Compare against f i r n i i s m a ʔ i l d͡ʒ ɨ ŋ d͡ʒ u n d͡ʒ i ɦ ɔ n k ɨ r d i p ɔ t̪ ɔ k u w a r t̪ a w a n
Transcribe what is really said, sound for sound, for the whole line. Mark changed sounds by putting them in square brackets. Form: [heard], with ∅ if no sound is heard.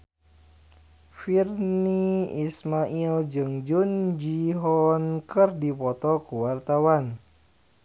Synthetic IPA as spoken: f i r n i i s m a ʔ i l d͡ʒ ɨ ŋ d͡ʒ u n d͡ʒ i ɦ ɔ n k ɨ r d i p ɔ t̪ ɔ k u w a r t̪ a w a n